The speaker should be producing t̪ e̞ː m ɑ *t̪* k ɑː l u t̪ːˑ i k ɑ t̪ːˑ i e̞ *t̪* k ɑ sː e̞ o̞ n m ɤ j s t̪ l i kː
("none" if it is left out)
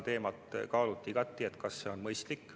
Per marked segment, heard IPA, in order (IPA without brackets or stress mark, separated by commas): t̪, t̪